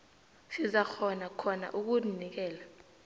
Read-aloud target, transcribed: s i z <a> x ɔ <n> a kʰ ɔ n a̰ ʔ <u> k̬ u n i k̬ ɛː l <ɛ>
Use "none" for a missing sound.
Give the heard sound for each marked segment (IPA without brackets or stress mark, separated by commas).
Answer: a, n, u, a